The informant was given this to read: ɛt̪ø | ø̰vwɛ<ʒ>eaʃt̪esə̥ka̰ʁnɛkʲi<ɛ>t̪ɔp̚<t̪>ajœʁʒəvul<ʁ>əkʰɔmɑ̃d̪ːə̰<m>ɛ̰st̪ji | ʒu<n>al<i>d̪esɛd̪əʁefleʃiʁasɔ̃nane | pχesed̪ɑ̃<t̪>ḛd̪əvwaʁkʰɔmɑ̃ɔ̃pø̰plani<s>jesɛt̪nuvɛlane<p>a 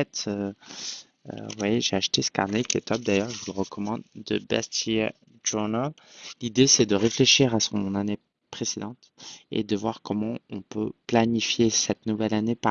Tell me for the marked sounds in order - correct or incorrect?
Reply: correct, correct, incorrect, correct, incorrect, correct, correct, correct, incorrect, correct

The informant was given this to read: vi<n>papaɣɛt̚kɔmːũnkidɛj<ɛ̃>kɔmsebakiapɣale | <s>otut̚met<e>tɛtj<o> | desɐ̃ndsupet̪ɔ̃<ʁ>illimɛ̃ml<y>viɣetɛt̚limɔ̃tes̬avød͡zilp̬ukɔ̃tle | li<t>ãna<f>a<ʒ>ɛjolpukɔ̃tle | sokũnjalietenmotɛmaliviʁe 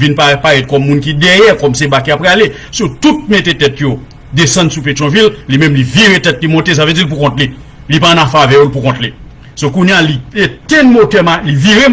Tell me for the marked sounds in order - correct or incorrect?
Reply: correct, incorrect, correct, correct, correct, incorrect, incorrect, incorrect, correct, incorrect

